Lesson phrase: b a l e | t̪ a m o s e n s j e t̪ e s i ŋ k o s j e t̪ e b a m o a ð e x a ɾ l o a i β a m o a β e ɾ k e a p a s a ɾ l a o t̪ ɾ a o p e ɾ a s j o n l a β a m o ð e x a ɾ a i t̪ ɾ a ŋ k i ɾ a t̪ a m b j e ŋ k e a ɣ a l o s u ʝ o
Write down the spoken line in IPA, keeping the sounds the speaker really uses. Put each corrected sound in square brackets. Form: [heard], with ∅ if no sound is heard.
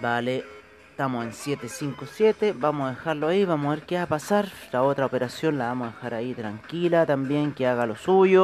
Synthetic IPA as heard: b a l e | t̪ a m o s e n s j e t̪ e s i ŋ k o s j e t̪ e b a m o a ð e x a ɾ l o a i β a m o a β e ɾ k e a p a s a ɾ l a o t̪ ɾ a o p e ɾ a s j o n l a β a m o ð e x a ɾ a i t̪ ɾ a ŋ k i [l] a t̪ a m b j e ŋ k e a ɣ a l o s u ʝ o